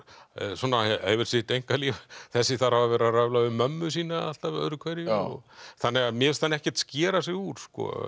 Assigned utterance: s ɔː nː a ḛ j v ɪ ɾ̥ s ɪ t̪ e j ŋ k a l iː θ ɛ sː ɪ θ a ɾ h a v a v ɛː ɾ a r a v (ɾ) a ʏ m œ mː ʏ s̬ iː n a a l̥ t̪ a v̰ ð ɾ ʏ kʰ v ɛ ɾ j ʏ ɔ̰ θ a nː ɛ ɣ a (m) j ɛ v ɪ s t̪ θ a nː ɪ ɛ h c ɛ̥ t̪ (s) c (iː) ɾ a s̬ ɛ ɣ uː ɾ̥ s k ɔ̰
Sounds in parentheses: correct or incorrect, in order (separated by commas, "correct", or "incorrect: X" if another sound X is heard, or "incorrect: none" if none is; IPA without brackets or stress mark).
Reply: incorrect: l, correct, correct, incorrect: ɛː